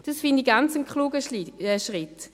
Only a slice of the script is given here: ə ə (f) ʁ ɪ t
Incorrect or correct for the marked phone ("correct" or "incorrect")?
incorrect